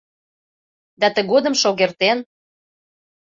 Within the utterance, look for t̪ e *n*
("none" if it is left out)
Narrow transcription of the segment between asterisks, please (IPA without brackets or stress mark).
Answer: n